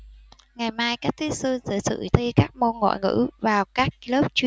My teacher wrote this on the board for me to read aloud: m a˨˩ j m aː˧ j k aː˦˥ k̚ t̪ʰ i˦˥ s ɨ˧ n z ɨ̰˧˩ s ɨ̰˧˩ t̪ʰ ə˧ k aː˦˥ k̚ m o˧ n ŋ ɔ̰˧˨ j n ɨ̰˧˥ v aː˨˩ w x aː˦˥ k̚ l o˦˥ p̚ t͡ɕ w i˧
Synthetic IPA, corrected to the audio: ŋ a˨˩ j m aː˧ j k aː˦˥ k̚ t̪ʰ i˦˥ s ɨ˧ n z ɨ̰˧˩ s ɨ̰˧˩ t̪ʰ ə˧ k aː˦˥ k̚ m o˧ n ŋ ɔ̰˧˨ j ŋ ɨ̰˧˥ v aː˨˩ w k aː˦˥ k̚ l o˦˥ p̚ t͡ɕ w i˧